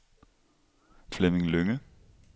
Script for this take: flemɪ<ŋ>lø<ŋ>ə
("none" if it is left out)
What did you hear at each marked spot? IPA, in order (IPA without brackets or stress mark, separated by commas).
ŋ, ŋ